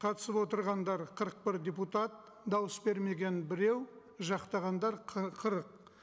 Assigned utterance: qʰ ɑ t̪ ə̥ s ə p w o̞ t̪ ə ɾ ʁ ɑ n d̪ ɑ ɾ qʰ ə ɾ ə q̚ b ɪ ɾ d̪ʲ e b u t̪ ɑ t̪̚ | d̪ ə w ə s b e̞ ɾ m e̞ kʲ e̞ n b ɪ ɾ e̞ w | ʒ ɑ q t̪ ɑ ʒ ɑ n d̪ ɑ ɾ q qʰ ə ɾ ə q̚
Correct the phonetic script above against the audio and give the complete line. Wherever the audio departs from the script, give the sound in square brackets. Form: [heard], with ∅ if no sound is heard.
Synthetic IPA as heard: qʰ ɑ t̪ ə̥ s ə p w o̞ t̪ ə ɾ ʁ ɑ n d̪ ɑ ɾ qʰ ə ɾ ə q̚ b ɪ ɾ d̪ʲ e [p] u t̪ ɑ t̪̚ | d̪ [ɑ] w ə s b e̞ ɾ m e̞ [ɡʲ] e̞ n b ɪ ɾ e̞ w | ʒ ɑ q t̪ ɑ [ʁ] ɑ n d̪ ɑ ɾ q qʰ ə ɾ ə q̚